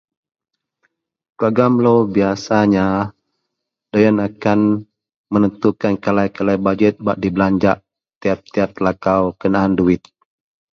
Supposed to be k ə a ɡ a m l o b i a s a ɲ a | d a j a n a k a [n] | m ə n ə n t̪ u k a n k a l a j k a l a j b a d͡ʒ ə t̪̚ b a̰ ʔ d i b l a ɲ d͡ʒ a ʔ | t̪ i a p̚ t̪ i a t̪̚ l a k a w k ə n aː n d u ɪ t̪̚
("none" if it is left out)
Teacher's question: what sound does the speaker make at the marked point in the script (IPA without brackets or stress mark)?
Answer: n